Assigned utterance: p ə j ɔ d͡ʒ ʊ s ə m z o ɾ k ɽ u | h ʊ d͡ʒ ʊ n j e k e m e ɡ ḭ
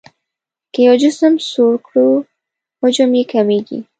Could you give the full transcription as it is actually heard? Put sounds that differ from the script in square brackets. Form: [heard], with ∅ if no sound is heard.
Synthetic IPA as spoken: [k] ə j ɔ d͡ʒ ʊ s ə m [s] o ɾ k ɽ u | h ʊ d͡ʒ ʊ [m] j e k [a] m e ɡ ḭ